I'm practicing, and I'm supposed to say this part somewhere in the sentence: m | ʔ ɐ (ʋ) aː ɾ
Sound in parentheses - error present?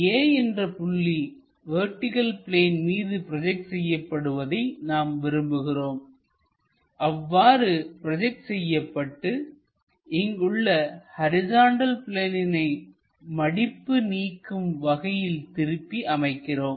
yes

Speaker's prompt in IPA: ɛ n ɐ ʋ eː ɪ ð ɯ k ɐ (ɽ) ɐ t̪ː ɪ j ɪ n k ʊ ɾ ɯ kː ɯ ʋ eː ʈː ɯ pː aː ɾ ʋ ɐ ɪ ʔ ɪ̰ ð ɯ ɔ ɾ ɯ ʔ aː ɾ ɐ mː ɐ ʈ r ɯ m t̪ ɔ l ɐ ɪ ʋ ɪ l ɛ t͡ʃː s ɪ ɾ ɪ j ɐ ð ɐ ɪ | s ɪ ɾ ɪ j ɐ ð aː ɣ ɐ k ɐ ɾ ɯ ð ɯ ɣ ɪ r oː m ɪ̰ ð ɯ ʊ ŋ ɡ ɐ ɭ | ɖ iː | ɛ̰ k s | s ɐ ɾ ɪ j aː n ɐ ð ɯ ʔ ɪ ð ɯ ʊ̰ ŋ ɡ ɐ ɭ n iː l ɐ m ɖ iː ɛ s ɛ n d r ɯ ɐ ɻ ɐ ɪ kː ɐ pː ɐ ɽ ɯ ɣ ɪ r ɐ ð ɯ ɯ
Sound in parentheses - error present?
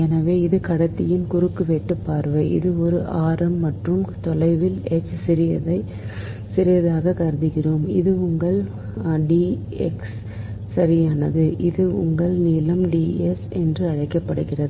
no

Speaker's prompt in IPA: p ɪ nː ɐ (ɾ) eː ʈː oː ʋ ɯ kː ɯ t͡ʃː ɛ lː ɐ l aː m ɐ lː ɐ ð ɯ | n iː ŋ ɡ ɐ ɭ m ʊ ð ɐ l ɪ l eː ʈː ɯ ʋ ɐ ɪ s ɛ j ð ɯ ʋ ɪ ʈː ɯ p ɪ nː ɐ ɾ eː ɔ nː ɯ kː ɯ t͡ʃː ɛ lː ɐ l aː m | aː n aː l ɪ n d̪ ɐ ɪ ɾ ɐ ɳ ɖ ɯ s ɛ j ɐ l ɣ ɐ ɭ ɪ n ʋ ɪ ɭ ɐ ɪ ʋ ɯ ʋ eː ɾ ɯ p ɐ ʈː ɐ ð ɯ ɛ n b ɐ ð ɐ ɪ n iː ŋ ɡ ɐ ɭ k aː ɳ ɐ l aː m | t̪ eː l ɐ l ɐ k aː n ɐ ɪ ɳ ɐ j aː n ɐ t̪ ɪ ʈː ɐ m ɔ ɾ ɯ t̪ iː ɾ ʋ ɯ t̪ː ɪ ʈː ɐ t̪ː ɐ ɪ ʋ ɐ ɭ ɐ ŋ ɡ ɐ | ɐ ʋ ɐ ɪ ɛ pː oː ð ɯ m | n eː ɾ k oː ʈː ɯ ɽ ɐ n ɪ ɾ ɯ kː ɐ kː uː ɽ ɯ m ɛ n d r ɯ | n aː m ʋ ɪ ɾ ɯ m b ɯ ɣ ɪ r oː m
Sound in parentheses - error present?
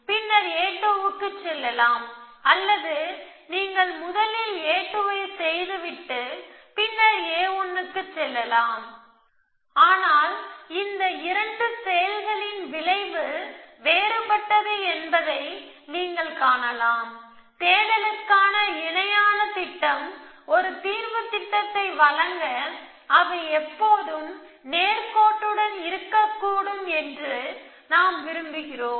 no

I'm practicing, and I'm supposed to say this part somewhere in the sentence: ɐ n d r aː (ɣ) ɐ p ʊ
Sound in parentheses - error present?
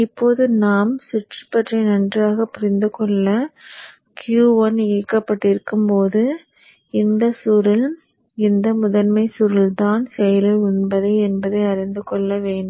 no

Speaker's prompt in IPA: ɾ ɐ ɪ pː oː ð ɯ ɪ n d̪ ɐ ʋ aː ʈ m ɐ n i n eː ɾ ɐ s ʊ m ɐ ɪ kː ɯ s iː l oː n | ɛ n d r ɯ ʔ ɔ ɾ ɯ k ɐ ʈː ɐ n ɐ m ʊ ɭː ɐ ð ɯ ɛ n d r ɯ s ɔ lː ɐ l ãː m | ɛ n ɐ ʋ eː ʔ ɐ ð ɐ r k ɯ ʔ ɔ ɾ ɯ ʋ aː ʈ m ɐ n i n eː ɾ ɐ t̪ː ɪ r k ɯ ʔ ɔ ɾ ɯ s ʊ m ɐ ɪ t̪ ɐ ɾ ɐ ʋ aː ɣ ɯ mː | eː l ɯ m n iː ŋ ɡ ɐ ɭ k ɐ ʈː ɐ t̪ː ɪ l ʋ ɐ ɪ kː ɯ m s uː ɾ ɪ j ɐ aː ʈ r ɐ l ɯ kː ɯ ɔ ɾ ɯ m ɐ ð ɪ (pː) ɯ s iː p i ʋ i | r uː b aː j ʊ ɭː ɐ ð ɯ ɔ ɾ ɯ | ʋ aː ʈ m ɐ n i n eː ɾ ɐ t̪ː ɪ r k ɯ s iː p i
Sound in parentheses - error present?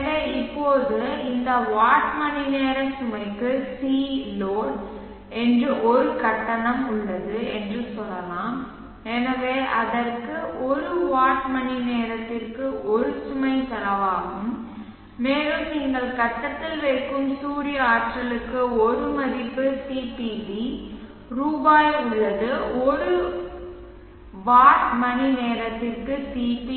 no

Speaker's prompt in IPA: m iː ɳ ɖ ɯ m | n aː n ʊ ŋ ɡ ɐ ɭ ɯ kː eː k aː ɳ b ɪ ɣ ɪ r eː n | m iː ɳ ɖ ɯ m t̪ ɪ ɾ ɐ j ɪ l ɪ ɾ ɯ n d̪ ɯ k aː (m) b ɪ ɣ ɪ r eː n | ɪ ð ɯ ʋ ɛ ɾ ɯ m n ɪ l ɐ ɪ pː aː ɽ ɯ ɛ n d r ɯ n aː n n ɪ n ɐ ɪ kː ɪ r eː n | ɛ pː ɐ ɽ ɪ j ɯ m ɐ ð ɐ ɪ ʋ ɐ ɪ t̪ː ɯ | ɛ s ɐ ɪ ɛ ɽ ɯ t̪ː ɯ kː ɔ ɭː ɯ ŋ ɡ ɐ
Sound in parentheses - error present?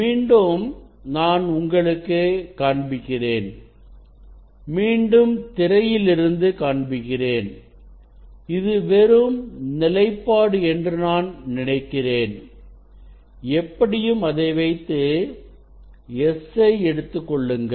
yes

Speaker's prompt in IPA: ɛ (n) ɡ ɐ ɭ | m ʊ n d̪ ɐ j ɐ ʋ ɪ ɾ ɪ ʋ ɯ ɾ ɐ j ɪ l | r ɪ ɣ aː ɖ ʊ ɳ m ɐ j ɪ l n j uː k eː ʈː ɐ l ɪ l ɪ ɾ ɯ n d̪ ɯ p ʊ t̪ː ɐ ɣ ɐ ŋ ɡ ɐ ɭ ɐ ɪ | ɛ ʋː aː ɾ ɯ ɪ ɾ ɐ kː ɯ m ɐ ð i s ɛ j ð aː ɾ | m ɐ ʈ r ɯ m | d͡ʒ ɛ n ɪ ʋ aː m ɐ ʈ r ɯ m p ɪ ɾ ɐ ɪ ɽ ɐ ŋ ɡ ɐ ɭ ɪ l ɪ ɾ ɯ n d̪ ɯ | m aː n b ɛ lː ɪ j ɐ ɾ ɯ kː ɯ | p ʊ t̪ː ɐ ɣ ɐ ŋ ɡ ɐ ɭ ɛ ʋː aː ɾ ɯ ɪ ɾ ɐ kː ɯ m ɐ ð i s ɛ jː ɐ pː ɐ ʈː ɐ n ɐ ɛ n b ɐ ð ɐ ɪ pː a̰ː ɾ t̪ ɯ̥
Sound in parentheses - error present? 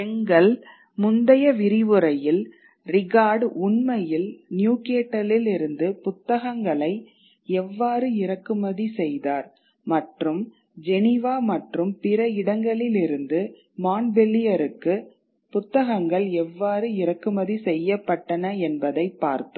yes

